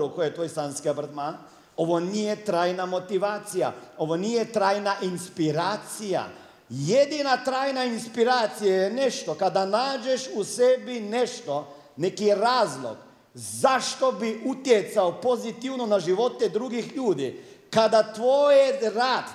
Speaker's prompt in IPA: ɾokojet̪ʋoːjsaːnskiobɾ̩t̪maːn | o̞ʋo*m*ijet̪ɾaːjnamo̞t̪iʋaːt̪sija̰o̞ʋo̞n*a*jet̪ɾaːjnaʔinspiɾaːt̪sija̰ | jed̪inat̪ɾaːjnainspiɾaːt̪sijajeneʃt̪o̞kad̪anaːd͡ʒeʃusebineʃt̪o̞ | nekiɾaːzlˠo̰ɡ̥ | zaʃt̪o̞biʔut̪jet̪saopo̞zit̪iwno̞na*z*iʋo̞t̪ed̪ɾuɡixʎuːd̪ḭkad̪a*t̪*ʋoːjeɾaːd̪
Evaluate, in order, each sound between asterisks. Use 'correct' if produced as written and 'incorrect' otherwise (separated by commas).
incorrect, incorrect, incorrect, correct